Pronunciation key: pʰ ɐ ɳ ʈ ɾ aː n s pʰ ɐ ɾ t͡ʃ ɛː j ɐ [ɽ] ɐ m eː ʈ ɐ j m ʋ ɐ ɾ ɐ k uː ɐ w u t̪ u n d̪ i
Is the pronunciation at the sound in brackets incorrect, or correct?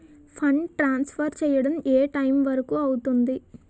correct